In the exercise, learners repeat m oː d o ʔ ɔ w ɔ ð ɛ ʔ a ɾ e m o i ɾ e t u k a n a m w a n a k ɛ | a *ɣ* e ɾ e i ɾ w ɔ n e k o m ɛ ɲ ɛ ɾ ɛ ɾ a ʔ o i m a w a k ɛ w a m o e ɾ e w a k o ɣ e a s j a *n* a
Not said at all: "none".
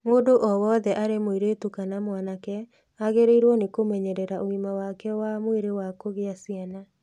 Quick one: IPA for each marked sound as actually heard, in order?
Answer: ɣ, n

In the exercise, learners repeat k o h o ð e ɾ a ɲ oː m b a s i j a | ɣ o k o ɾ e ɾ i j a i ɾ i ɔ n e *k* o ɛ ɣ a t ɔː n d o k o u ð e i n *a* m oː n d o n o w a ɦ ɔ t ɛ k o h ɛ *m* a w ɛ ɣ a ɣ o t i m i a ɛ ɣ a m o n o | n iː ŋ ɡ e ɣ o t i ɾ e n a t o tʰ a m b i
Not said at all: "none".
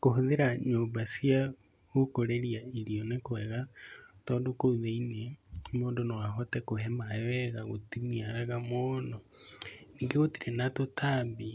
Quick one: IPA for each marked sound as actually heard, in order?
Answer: k, e, m

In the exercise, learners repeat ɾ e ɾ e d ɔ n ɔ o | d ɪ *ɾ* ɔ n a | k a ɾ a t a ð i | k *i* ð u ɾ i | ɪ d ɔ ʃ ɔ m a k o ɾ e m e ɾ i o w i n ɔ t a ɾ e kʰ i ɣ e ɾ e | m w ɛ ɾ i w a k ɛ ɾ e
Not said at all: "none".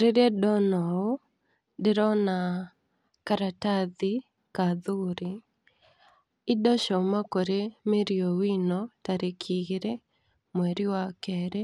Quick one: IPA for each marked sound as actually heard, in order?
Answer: ɾ, a

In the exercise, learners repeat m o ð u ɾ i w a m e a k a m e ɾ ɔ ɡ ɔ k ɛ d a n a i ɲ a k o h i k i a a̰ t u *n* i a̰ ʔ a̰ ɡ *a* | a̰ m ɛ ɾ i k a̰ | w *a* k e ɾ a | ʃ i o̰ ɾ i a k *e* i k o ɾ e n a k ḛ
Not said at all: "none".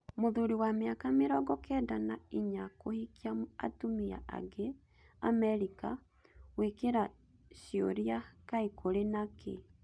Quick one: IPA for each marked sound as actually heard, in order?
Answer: m, e, e, a

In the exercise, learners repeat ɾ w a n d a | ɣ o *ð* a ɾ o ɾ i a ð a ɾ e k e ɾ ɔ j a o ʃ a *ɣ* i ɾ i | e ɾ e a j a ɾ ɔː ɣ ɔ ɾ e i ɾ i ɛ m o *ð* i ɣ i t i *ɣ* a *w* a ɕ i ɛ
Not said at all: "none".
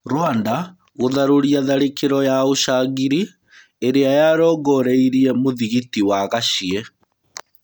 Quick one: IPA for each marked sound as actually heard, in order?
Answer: ð, ɣ, ð, w, ɣ

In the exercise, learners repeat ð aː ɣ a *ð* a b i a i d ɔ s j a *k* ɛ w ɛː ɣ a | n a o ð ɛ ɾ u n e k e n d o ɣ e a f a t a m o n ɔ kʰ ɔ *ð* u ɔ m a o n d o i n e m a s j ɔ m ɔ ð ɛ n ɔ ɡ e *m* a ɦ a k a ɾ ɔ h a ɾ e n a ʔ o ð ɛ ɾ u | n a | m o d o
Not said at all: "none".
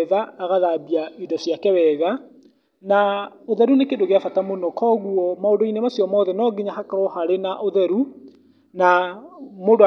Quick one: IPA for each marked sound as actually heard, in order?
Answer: ð, k, ɣ, ɲ

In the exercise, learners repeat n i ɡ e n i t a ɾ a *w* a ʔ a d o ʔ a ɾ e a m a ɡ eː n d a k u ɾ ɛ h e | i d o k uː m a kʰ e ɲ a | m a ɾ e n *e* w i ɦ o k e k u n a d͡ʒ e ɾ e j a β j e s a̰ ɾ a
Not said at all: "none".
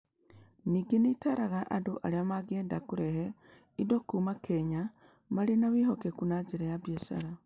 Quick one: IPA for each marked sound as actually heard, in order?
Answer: ɣ, a

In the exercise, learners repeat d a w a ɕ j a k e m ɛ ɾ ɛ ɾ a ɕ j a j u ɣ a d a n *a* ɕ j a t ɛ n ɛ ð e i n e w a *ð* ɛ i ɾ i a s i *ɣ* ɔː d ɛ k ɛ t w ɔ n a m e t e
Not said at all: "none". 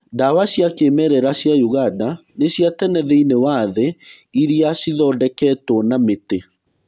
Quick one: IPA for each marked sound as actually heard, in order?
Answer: e, ð, ð

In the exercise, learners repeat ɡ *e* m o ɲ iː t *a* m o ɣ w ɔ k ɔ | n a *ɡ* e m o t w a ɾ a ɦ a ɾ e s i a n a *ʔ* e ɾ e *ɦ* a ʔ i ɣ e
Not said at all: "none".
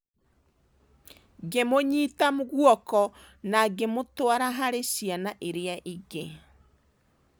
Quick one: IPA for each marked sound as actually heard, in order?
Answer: e, a, ɡ, ʔ, none

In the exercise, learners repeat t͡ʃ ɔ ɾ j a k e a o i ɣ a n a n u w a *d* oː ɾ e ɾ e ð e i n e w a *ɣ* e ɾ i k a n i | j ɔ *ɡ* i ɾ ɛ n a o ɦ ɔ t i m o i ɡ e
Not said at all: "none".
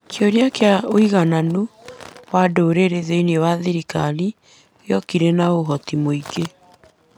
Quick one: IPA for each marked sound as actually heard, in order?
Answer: d, ð, k

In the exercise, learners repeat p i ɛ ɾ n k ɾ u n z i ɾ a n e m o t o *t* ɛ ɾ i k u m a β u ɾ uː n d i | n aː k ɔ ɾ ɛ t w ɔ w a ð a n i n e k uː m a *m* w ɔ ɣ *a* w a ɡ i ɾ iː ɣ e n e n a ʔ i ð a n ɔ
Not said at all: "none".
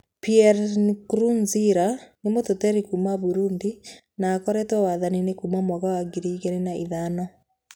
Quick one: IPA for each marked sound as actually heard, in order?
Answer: t, m, a

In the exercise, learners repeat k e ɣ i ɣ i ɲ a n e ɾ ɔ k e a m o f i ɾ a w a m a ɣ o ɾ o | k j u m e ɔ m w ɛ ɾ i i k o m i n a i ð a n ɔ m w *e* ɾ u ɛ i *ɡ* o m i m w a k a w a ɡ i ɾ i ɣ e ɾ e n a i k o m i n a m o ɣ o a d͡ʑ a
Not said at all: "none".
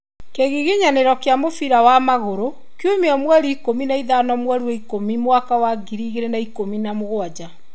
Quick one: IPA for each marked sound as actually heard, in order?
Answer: ɛ, k

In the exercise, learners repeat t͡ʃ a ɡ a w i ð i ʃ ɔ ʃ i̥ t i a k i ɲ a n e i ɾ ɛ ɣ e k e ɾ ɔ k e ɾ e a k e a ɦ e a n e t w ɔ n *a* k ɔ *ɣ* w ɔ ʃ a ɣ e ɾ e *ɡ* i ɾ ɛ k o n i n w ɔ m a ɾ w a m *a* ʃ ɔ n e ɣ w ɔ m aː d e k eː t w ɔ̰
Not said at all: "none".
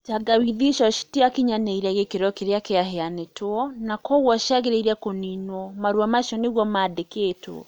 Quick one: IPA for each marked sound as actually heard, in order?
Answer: a, ɣ, none, a

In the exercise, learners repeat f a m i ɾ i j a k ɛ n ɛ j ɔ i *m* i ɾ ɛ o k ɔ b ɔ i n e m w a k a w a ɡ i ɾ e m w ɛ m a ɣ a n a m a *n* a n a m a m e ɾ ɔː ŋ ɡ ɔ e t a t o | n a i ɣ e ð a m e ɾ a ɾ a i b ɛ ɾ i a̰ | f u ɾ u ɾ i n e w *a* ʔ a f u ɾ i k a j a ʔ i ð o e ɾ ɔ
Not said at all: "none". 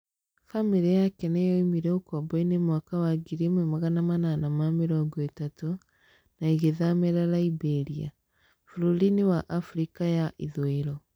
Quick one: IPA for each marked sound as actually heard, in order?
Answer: m, n, a

